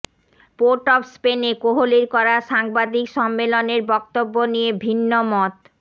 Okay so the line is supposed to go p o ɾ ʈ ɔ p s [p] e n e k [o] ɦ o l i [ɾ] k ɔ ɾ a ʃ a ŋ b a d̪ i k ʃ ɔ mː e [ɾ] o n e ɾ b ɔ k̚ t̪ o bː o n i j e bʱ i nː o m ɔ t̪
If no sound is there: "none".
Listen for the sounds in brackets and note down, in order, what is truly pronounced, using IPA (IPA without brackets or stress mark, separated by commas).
p, o, ɾ, l